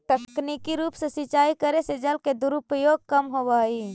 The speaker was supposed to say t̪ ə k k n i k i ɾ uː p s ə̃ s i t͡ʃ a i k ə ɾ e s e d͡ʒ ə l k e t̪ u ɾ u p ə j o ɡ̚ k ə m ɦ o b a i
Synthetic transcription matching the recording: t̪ ə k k n i k i ɾ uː p s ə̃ s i t͡ʃ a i k ə ɾ e s e d͡ʒ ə l k e d̪ u ɾ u p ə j o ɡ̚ k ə m ɦ o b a i